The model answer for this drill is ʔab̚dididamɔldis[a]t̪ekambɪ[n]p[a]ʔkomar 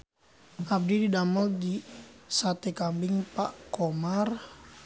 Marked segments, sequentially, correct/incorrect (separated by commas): correct, incorrect, correct